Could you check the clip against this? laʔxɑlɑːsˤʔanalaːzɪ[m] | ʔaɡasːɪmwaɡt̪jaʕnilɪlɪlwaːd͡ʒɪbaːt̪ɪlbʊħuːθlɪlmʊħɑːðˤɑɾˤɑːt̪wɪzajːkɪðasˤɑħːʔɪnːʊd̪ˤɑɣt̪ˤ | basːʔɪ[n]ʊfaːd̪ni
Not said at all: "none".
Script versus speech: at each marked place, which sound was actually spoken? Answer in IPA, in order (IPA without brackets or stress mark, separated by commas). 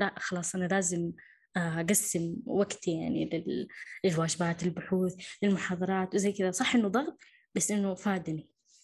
m, nː